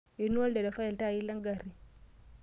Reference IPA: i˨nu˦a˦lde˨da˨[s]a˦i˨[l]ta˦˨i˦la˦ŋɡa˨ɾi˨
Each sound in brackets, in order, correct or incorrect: incorrect, correct

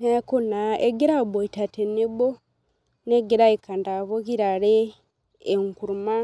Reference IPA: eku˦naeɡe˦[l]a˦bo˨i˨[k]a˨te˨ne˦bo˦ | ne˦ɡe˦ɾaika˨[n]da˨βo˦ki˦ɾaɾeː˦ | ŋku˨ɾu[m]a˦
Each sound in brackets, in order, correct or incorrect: incorrect, incorrect, correct, correct

